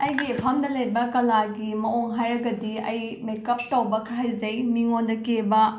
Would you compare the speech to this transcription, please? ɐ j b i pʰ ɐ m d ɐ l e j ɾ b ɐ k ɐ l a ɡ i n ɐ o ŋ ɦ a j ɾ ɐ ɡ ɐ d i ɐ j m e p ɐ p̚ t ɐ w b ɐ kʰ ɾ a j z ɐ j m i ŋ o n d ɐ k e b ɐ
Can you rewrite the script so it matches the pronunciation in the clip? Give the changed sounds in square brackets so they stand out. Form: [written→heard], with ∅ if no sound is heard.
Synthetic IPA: ɐ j [b→ɡ] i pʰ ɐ m d ɐ l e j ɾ b ɐ k ɐ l a ɡ i [n→m] ɐ o ŋ ɦ a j ɾ ɐ ɡ ɐ d i ɐ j m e [p→k] ɐ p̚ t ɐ w b ɐ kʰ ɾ a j z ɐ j m i ŋ o n d ɐ k e b ɐ